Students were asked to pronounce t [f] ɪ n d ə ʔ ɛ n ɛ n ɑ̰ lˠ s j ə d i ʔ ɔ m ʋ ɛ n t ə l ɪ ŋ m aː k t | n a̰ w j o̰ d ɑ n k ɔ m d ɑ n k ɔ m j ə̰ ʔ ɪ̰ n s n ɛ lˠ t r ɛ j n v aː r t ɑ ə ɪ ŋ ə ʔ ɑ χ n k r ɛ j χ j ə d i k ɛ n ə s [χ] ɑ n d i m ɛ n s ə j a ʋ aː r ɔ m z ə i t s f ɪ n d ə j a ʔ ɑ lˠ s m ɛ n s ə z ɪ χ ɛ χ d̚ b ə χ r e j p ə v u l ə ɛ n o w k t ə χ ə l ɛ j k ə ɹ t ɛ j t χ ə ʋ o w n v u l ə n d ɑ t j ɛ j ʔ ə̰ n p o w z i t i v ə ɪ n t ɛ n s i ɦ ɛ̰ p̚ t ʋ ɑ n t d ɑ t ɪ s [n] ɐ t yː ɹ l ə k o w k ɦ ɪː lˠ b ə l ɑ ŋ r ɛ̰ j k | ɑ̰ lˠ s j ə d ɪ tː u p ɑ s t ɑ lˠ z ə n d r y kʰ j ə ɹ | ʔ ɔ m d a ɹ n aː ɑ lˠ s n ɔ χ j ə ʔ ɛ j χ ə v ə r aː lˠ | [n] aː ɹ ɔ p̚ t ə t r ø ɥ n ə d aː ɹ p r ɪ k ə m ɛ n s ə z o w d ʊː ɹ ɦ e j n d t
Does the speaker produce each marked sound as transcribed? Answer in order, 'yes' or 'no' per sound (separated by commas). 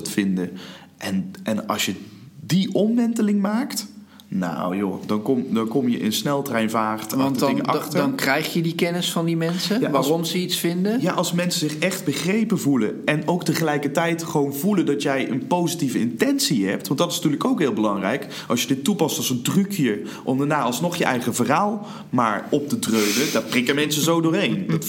yes, no, yes, no